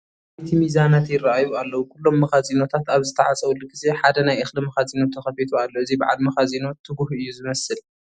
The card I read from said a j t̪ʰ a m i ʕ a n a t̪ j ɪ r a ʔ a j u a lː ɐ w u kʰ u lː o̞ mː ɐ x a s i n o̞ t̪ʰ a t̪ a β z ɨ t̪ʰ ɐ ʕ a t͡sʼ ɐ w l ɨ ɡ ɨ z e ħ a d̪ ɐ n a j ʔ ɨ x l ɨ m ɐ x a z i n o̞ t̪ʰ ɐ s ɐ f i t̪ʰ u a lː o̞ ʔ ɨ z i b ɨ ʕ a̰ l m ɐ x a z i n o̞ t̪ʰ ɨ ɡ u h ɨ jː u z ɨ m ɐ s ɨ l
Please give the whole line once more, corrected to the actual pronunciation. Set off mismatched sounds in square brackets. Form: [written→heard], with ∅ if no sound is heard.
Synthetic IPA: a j t̪ʰ [a→i] m i [ʕ→z] a n a t̪ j ɪ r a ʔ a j u a lː ɐ w u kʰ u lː o̞ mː ɐ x a [s→z] i n o̞ t̪ʰ a t̪ a β z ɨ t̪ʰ ɐ ʕ a t͡sʼ ɐ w l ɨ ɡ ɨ z e ħ a d̪ ɐ n a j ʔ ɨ x l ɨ m ɐ x a z i n o̞ t̪ʰ ɐ [s→x] ɐ f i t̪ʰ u a lː o̞ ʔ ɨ z i b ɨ ʕ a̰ l m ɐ x a z i n o̞ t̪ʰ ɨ ɡ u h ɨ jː u z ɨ m ɐ s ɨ l

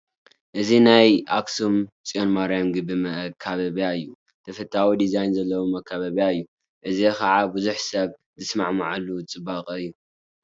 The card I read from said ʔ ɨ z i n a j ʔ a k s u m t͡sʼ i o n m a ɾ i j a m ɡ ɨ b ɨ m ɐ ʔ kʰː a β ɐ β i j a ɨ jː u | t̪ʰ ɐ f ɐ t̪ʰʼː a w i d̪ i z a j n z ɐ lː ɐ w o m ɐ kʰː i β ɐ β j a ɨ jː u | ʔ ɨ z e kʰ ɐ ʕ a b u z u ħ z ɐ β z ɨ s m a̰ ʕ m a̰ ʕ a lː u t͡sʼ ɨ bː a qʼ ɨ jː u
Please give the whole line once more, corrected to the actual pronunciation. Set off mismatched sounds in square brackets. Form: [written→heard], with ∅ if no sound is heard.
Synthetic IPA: ʔ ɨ z i n a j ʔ a k s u m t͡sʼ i o n m a ɾ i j a m ɡ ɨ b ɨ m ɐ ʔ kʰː a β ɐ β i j a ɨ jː u | t̪ʰ ɐ f ɐ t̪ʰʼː a w i d̪ i z a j n z ɐ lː ɐ w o m ɐ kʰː [i→a] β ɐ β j a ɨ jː u | ʔ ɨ z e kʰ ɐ ʕ a b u z u ħ [z→s] ɐ β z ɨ s m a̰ ʕ m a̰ ʕ a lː u t͡sʼ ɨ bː a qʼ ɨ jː u

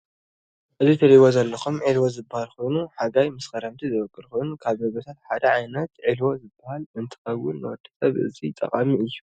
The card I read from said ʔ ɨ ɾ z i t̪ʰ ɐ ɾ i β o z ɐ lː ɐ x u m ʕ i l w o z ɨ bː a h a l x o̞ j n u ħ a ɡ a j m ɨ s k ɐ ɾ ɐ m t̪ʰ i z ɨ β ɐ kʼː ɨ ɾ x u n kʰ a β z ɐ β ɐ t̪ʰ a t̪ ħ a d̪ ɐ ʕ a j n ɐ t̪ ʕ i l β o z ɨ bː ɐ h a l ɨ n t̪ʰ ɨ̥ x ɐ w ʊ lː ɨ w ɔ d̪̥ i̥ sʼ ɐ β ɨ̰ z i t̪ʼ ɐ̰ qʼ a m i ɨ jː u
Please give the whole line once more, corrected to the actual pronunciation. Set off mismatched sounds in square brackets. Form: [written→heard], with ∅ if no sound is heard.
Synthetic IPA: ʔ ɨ [ɾ→∅] z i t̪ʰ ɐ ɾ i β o z ɐ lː ɐ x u m ʕ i l w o z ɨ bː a h a l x o̞ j n u ħ a ɡ a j m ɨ s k ɐ ɾ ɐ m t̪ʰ i z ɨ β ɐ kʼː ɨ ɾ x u n kʰ a β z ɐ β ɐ t̪ʰ a t̪ ħ a d̪ ɐ ʕ a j n ɐ t̪ ʕ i l [β→w] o z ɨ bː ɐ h a l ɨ n t̪ʰ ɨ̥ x ɐ w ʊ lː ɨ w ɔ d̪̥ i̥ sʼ ɐ β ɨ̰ z i t̪ʼ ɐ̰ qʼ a m i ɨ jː u

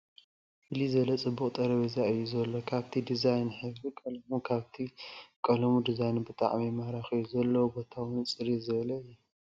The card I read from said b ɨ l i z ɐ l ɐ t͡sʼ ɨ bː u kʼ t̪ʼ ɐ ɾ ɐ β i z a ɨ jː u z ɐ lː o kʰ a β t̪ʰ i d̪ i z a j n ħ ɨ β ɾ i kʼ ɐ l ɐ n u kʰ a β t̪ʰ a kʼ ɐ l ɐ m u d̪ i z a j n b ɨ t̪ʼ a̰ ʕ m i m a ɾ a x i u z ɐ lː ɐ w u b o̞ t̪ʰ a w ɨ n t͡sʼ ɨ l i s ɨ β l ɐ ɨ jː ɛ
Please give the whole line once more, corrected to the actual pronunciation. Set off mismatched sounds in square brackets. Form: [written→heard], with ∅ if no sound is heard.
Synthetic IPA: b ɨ l i z ɐ l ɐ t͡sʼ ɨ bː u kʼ t̪ʼ ɐ ɾ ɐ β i z a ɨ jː u z ɐ lː o kʰ a β t̪ʰ i d̪ i z a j n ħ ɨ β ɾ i kʼ ɐ l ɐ [n→m] u kʰ a β t̪ʰ [a→i] kʼ ɐ l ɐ m u d̪ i z a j n b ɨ t̪ʼ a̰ ʕ m i m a ɾ a x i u z ɐ lː ɐ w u b o̞ t̪ʰ a w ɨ n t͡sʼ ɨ [l→ɾ] i [s→z] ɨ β l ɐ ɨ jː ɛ

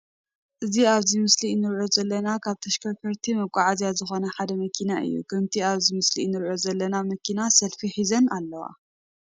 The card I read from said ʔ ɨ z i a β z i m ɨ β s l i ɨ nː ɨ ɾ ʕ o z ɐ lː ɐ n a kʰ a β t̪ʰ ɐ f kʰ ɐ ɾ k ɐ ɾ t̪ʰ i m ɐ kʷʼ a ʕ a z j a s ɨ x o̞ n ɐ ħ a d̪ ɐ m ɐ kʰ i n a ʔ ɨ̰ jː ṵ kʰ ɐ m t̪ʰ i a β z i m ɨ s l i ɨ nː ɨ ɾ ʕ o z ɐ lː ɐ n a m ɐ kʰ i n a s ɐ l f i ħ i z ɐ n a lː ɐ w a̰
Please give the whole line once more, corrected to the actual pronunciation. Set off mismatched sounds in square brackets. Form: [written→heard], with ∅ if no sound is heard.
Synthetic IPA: ʔ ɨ z i a β z i m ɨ [β→∅] s l i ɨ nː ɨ ɾ ʕ o z ɐ lː ɐ n a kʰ a β t̪ʰ ɐ [f→ʃ] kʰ ɐ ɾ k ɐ ɾ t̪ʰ i m ɐ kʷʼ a ʕ a z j a [s→z] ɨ x o̞ n ɐ ħ a d̪ ɐ m ɐ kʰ i n a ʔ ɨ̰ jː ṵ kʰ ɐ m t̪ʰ i a β z i m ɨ s l i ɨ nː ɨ ɾ ʕ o z ɐ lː ɐ n a m ɐ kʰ i n a s ɐ l f i ħ i z ɐ n a lː ɐ w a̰

